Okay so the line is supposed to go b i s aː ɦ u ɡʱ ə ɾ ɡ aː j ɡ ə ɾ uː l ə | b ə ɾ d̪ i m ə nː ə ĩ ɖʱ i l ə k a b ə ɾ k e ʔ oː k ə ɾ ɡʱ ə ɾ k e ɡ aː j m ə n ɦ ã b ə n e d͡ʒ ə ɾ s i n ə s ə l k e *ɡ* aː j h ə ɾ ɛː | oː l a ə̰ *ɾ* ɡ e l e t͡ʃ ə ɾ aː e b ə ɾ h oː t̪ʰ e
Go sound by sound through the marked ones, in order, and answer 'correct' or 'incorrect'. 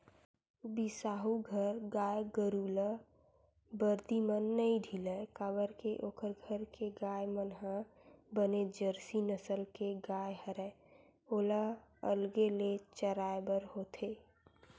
correct, incorrect: l

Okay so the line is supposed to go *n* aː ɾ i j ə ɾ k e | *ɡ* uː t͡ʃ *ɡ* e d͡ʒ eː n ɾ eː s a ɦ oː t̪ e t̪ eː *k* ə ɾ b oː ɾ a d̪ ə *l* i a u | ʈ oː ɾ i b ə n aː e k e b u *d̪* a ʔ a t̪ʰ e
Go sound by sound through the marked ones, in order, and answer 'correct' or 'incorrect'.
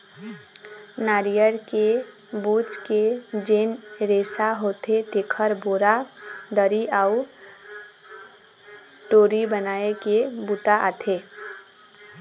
correct, incorrect: b, incorrect: k, incorrect: kʰ, incorrect: ɾ, incorrect: t̪

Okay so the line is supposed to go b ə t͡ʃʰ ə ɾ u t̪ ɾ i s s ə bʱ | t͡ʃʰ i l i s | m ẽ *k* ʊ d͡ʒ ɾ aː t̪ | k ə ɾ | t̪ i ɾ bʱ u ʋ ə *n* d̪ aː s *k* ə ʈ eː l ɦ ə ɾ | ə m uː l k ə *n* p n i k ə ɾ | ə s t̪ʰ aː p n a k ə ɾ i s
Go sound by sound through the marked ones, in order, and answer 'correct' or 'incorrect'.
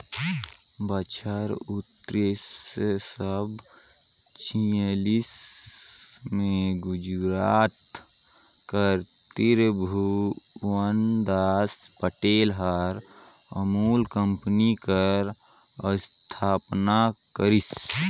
incorrect: ɡ, correct, incorrect: p, incorrect: m

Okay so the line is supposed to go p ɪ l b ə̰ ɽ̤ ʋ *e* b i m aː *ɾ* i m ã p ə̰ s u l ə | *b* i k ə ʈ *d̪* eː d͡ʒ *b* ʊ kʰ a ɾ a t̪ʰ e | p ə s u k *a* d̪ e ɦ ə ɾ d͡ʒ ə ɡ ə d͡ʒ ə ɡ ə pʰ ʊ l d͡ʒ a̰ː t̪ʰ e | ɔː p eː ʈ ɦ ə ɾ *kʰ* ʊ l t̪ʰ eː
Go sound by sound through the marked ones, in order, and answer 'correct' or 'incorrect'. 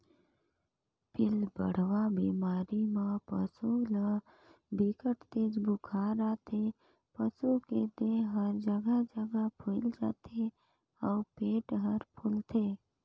incorrect: a, correct, correct, incorrect: t̪, correct, incorrect: e, incorrect: pʰ

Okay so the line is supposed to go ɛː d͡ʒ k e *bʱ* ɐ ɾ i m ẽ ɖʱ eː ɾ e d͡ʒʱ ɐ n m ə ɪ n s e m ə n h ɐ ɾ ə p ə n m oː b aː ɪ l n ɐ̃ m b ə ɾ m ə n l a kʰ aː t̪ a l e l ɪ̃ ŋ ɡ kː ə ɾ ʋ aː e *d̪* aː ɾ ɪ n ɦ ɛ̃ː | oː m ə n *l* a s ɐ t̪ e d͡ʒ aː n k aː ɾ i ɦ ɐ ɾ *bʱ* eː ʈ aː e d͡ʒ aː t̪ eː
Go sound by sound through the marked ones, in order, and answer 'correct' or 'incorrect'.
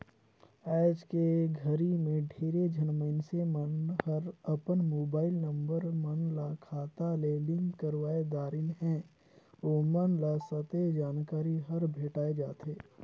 incorrect: ɡʱ, correct, correct, correct

